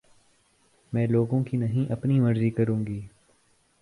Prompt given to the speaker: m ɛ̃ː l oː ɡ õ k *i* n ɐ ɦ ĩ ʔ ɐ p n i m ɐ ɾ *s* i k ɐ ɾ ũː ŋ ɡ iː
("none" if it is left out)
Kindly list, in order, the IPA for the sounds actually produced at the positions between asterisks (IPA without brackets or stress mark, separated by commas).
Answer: i, z